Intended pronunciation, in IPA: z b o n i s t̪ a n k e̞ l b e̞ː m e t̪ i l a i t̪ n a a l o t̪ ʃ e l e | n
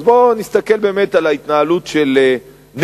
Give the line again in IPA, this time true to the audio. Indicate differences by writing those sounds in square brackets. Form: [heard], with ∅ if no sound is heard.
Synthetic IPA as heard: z b o n i s t̪ a [∅] k e̞ l b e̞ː m e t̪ [a] l a i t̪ n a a l [u] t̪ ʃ e l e | n